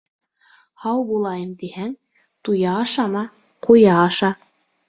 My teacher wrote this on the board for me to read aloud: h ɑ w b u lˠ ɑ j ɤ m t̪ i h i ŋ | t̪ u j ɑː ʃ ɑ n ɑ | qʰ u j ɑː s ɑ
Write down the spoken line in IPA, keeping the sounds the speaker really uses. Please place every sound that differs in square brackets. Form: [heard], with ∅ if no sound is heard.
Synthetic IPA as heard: h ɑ w b u lˠ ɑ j ɤ m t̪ i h [æ] ŋ | t̪ u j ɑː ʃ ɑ [m] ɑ | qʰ u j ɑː [ʃ] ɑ